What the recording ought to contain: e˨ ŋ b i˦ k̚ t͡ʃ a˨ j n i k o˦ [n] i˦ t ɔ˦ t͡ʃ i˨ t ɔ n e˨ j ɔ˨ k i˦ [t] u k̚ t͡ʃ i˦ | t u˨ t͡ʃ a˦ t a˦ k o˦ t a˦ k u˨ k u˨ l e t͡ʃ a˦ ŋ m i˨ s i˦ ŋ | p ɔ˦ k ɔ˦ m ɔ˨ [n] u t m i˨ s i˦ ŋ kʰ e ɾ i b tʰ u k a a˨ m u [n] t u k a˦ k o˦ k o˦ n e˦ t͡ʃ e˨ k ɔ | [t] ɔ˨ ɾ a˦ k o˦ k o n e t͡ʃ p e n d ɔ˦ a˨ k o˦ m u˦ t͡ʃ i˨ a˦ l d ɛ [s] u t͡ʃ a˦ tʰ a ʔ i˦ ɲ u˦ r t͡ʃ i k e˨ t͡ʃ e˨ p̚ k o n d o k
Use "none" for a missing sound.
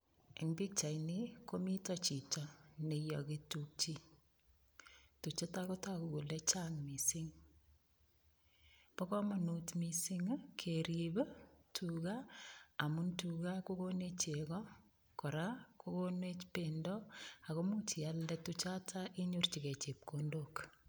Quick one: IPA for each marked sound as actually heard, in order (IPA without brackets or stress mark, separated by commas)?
m, t, n, n, k, t